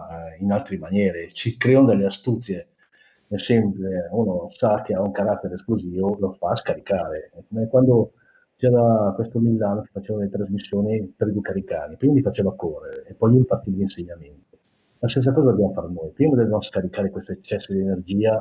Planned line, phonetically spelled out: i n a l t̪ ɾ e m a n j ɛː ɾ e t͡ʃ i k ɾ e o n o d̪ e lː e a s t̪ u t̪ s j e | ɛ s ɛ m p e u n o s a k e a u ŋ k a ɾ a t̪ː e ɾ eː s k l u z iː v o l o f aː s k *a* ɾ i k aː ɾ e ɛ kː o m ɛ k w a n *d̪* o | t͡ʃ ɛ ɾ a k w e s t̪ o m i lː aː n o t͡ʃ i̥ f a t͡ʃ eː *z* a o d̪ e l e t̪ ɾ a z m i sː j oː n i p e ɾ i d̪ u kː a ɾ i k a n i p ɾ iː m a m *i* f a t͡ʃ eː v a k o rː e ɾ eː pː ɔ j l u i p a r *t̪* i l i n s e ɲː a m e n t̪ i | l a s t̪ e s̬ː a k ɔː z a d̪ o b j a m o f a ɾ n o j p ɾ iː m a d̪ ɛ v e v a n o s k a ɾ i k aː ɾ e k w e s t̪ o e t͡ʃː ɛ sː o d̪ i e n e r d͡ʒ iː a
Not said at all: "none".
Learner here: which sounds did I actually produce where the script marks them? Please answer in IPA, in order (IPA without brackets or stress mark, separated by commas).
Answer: a, d̪, v, i, t̪